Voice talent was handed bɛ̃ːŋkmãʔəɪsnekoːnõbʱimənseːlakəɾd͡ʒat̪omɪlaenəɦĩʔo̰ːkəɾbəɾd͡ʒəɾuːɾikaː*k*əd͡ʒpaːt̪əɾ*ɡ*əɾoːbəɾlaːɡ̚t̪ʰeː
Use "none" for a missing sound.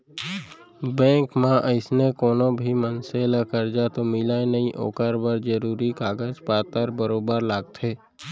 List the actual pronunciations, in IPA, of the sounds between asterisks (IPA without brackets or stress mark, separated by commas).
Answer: ɡ, b